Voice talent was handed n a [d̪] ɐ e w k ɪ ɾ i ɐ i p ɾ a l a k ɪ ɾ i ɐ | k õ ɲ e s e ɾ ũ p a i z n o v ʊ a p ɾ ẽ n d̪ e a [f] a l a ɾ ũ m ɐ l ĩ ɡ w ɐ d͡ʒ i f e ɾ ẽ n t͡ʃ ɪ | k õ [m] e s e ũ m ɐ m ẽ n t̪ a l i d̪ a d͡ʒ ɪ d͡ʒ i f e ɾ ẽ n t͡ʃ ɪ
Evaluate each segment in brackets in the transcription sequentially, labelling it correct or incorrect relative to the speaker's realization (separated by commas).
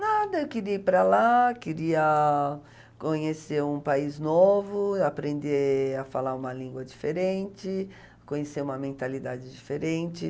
correct, correct, incorrect